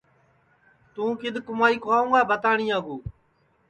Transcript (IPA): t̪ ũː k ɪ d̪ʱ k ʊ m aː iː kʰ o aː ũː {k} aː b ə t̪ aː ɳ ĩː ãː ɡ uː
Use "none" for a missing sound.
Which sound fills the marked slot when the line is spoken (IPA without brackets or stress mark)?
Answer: ɡ